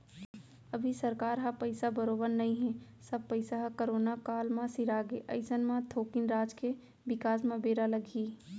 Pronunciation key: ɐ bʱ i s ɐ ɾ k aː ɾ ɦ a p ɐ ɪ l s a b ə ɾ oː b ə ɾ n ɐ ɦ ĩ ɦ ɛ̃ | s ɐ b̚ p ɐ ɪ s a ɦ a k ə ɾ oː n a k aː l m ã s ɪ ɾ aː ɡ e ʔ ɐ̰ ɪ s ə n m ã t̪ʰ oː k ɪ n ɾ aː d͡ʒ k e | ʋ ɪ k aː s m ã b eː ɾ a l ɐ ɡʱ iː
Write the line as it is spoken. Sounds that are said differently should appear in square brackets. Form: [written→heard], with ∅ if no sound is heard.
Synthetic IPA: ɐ bʱ i s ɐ ɾ k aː ɾ ɦ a p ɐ ɪ [l→∅] s a b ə ɾ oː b ə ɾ n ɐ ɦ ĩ ɦ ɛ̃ | s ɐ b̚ p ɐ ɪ s a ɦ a k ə ɾ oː n a k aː l m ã s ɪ ɾ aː ɡ e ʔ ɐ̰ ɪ s ə n m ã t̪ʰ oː k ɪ n ɾ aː d͡ʒ k e | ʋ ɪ k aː s m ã b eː ɾ a l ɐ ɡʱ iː